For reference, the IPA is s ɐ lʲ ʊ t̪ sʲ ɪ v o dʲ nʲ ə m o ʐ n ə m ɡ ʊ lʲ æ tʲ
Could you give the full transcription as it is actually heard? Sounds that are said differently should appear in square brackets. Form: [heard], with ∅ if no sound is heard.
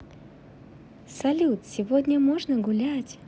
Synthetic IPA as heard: s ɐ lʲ [u] t̪ sʲ ɪ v o dʲ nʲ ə m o ʐ n ə [∅] ɡ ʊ lʲ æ tʲ